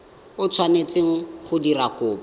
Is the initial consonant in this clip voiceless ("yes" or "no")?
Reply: yes